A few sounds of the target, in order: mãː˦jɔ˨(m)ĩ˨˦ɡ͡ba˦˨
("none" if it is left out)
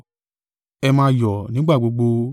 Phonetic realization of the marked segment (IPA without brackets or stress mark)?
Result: n